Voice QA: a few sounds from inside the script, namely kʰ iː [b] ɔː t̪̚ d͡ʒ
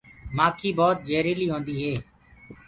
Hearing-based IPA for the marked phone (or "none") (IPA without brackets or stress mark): b